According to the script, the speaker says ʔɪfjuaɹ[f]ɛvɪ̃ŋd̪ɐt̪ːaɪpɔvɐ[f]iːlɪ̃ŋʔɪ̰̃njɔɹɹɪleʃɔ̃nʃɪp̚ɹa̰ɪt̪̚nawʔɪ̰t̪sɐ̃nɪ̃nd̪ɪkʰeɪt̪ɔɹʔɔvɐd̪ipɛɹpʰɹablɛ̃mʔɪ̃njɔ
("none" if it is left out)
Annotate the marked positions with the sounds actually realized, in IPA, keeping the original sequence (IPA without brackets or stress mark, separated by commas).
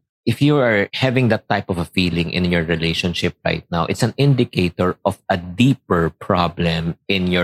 h, f